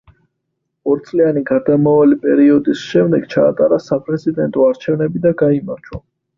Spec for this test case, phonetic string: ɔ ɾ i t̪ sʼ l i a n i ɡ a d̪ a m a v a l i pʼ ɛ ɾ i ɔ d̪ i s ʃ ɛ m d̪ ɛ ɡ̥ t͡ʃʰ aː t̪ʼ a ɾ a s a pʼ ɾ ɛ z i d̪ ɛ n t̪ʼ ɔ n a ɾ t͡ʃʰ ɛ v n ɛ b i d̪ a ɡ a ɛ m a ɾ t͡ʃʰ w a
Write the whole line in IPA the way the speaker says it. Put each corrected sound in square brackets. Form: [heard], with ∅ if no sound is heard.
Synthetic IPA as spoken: ɔ ɾ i t̪ sʼ l i a n i ɡ a d̪ a m a v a l i pʼ ɛ ɾ i ɔ d̪ i s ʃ ɛ m d̪ ɛ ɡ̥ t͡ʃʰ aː t̪ʼ a ɾ a s a pʼ ɾ ɛ z i d̪ ɛ n t̪ʼ ɔ [∅] a ɾ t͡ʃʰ ɛ v n ɛ b i d̪ a ɡ a [i] m a ɾ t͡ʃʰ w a